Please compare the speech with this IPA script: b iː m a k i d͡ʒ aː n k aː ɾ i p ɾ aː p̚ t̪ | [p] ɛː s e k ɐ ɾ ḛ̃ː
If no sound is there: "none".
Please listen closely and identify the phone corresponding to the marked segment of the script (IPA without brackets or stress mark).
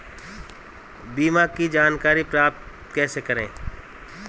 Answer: k